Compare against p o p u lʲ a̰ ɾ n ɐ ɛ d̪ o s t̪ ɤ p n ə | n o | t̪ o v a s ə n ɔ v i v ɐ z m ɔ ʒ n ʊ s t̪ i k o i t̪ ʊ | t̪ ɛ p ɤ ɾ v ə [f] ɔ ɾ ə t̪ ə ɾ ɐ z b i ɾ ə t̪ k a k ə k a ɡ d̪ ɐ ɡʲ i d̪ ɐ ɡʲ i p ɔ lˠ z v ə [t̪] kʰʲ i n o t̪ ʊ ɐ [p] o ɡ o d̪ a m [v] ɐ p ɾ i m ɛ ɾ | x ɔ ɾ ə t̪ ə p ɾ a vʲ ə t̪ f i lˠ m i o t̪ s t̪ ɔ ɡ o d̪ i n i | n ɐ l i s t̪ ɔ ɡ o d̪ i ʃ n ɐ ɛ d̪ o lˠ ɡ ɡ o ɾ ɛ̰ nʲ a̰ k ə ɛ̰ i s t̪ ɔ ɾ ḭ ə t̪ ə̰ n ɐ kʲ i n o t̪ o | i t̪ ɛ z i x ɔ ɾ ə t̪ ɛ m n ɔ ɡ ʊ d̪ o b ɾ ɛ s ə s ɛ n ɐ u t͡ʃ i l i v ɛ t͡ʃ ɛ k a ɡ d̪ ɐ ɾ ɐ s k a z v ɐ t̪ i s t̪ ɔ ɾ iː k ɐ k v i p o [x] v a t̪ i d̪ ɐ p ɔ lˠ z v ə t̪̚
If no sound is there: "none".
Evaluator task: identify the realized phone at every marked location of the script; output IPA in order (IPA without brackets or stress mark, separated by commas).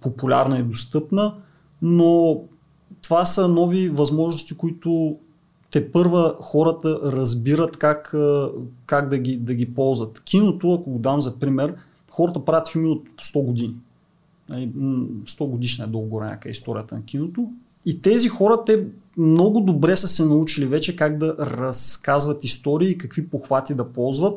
x, t̪, k, z, x